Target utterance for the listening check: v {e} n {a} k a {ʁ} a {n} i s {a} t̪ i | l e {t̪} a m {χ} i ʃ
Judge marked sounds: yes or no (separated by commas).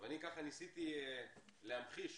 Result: no, no, no, yes, no, no, yes